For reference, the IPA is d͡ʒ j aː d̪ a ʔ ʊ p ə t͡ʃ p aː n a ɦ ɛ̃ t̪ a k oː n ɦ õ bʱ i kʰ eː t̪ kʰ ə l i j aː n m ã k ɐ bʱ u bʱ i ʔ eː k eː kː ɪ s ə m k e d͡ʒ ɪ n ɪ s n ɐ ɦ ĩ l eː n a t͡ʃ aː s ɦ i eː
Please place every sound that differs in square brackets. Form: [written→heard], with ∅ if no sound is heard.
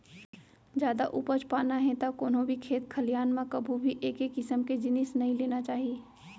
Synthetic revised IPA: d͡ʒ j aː d̪ a ʔ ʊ p ə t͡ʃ p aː n a ɦ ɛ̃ t̪ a k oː n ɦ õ bʱ i kʰ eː t̪ kʰ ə l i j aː n m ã k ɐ bʱ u bʱ i ʔ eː k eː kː ɪ s ə m k e d͡ʒ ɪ n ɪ s n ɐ ɦ ĩ l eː n a t͡ʃ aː [s→∅] ɦ i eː